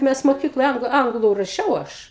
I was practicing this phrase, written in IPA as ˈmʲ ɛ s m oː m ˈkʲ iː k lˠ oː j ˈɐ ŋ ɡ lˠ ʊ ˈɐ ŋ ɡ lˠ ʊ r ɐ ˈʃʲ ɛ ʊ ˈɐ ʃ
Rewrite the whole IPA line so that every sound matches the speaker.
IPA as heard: ˈmʲ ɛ s m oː ˈkʲ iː k lˠ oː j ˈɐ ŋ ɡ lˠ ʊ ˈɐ ŋ ɡ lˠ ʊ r ɐ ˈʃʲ ɛ ʊ ˈɐ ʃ